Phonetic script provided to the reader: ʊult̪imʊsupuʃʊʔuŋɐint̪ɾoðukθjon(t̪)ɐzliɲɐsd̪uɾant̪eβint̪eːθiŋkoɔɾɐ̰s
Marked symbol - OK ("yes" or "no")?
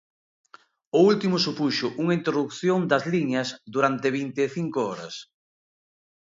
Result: no